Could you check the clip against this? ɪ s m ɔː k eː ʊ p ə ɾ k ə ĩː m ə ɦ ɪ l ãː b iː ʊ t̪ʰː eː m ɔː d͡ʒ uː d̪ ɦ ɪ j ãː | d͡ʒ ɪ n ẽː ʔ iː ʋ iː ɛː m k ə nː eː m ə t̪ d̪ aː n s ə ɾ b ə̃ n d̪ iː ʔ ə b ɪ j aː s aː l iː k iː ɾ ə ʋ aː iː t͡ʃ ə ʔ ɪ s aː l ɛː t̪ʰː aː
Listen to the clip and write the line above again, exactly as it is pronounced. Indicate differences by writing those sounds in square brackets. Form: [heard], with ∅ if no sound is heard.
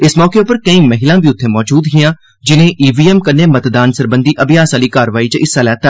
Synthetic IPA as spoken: ɪ s m ɔː k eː ʊ p ə ɾ k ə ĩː m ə ɦ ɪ l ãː b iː ʊ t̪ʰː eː m ɔː d͡ʒ uː d̪ ɦ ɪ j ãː | d͡ʒ ɪ n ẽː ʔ iː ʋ iː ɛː m k ə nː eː m ə t̪ d̪ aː n s ə ɾ b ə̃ n d̪ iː ʔ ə b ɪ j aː s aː l iː k [aː] ɾ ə ʋ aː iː t͡ʃ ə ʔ ɪ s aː l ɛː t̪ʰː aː